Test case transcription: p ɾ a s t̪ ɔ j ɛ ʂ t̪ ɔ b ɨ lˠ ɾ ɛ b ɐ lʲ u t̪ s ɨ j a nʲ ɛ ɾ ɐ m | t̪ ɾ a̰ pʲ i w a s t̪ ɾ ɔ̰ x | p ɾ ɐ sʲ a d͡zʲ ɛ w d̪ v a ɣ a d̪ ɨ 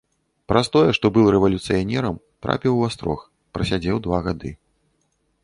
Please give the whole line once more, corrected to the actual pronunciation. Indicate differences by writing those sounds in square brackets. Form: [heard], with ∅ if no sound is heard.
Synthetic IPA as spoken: p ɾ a s t̪ ɔ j ɛ ʂ t̪ ɔ b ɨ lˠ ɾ ɛ [v] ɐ lʲ u t̪ s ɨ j a nʲ ɛ ɾ ɐ m | t̪ ɾ a̰ pʲ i w a s t̪ ɾ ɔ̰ x | p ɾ ɐ sʲ a d͡zʲ ɛ w d̪ v a ɣ a d̪ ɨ